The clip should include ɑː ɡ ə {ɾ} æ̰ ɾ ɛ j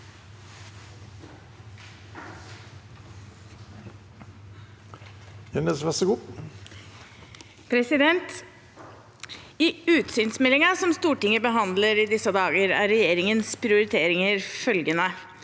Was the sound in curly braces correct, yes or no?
yes